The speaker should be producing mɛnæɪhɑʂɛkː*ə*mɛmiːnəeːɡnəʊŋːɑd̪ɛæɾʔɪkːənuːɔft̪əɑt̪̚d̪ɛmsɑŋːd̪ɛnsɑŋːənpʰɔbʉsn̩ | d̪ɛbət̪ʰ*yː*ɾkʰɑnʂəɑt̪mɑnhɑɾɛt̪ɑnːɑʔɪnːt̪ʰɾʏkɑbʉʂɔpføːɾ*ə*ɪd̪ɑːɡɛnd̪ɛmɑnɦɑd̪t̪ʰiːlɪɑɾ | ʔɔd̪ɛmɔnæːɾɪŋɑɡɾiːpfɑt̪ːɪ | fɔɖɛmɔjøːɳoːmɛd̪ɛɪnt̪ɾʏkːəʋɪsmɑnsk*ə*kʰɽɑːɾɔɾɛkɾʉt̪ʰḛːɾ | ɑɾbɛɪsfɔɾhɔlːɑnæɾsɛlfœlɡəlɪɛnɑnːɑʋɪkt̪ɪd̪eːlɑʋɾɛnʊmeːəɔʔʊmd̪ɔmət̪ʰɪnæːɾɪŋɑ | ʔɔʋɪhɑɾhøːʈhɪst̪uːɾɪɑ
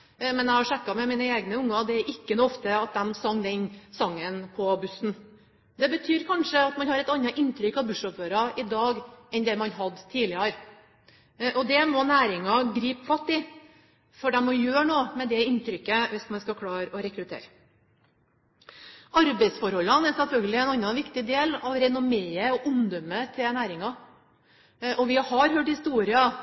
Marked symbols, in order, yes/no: no, yes, no, no

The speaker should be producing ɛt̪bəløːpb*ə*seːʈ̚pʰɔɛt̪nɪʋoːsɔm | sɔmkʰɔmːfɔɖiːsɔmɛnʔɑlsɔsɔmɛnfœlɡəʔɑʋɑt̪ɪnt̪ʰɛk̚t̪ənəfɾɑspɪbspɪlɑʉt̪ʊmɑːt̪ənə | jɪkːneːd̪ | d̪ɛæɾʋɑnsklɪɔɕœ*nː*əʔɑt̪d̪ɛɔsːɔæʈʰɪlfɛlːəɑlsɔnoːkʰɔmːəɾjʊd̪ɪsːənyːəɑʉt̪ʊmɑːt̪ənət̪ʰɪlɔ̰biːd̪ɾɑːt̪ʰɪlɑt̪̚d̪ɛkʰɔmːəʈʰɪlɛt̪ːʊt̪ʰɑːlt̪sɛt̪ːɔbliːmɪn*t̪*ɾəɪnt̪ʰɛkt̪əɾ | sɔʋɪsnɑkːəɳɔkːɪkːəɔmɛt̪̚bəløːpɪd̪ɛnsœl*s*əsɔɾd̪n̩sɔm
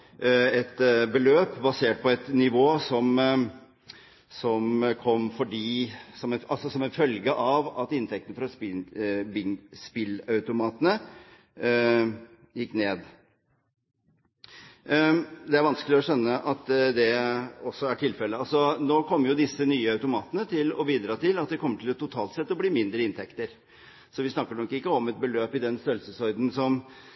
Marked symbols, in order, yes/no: no, yes, no, yes

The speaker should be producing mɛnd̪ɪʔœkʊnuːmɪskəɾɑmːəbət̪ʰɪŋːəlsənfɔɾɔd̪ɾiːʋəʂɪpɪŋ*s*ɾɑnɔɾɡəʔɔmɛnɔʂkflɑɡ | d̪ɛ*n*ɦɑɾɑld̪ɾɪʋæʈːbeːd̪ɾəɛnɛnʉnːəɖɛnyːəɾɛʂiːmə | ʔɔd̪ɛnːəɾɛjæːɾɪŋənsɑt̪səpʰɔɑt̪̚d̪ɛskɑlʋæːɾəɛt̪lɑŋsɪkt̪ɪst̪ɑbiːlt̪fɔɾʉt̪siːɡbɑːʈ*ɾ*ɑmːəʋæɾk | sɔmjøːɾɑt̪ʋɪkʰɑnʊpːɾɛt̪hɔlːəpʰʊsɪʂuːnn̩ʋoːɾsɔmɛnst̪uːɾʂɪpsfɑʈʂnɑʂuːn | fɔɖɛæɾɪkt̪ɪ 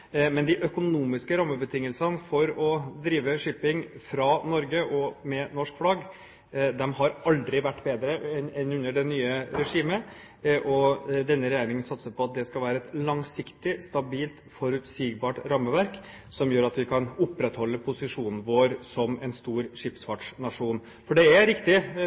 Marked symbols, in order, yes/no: no, no, yes

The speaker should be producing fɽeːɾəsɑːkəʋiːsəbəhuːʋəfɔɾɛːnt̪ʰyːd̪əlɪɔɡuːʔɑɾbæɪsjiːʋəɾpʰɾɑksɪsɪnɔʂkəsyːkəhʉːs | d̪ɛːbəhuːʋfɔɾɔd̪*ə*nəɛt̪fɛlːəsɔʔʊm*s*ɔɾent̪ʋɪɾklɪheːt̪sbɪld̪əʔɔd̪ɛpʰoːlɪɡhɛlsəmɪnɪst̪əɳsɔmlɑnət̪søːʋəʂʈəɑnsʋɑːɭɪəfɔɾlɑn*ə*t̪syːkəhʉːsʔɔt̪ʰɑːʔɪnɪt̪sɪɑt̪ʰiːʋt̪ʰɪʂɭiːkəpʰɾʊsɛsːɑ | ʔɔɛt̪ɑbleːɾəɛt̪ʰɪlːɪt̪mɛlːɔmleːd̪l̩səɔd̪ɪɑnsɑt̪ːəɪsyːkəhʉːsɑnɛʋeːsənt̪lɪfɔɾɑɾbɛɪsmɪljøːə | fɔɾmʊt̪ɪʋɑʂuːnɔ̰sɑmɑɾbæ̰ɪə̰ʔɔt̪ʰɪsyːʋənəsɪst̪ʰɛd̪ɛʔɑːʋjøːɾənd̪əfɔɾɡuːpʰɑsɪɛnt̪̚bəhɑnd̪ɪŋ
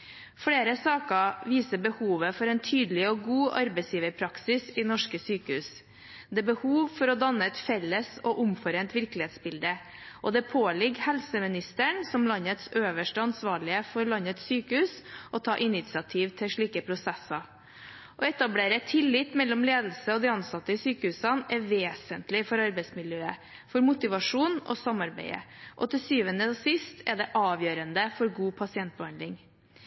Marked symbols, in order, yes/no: no, no, yes

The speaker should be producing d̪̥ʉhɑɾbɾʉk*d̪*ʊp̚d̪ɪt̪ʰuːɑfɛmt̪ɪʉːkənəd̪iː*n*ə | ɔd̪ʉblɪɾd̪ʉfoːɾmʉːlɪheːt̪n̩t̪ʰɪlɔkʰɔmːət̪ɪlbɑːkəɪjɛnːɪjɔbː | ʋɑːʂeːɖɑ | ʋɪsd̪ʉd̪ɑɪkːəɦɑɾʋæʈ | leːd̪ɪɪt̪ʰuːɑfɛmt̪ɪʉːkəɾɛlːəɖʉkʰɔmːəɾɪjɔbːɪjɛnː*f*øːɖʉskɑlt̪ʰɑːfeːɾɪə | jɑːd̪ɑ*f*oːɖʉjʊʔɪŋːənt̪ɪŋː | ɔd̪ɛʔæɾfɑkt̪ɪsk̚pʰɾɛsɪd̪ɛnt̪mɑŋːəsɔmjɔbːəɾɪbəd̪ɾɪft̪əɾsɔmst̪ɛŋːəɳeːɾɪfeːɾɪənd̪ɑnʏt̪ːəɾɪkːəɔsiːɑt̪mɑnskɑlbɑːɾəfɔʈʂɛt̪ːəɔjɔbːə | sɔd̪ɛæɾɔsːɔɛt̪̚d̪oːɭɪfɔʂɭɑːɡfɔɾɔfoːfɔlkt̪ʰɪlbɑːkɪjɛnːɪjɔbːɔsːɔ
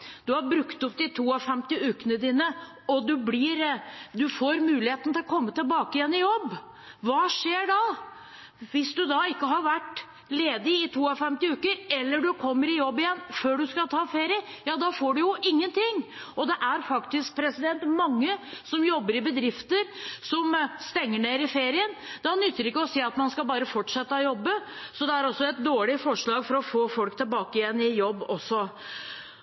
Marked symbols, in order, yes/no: no, yes, yes, yes

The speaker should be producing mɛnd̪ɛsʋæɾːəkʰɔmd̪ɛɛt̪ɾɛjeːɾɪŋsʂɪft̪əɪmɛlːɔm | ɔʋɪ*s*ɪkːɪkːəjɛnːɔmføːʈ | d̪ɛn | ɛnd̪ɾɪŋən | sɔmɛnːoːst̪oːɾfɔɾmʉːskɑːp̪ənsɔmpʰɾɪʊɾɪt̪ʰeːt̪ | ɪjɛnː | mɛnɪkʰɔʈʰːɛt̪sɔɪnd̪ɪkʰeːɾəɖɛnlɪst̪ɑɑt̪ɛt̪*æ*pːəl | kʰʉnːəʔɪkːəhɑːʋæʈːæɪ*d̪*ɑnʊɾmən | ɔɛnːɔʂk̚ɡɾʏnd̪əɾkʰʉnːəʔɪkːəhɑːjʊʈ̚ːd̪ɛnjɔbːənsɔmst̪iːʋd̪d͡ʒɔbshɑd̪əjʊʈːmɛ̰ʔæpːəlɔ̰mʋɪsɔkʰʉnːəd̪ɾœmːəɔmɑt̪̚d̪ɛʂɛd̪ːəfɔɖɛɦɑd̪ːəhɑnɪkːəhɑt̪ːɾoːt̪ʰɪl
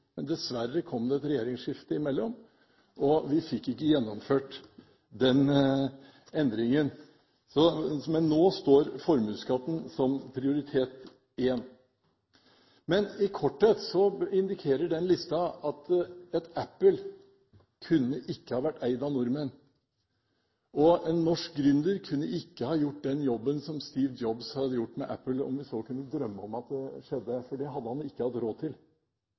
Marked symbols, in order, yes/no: no, yes, yes

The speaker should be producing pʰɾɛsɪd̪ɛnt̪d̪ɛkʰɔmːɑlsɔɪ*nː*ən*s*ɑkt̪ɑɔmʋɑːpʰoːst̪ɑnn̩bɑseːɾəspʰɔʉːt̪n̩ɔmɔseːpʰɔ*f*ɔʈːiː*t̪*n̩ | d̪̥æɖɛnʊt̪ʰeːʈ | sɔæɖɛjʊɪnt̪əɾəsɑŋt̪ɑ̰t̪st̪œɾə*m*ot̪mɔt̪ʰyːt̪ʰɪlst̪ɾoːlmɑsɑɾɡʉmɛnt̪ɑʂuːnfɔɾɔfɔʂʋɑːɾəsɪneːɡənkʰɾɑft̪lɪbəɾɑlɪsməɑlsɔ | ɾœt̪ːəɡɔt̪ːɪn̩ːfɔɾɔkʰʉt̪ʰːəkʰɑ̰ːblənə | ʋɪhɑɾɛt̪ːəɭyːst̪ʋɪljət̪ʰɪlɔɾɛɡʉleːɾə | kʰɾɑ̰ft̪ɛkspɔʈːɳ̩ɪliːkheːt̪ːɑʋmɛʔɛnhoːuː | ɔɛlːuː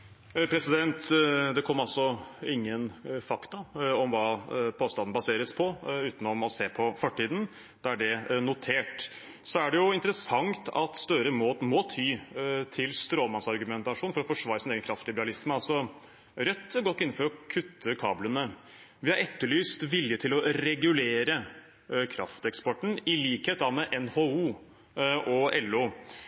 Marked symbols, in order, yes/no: no, no, yes, no, yes

